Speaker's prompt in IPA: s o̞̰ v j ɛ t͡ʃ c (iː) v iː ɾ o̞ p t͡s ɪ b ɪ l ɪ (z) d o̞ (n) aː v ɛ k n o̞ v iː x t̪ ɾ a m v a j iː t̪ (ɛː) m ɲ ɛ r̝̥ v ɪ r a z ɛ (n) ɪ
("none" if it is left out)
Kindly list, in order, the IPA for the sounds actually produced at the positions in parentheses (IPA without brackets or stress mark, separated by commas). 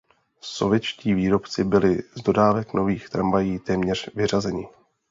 iː, z, d, ɛː, ɲ